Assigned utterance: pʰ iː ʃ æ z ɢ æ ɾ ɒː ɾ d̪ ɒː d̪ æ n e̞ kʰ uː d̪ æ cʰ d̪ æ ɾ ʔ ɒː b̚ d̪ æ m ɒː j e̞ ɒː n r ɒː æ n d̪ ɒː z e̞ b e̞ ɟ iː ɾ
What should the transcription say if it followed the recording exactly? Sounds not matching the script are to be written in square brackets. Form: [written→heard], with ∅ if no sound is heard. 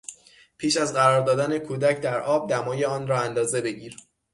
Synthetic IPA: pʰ iː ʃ æ z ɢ æ ɾ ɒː ɾ d̪ ɒː d̪ æ n e̞ kʰ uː d̪ æ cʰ d̪ æ ɾ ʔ ɒː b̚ d̪ æ m ɒː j e̞ ɒː n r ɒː æ n d̪ ɒː z e̞ b e̞ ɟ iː ɾ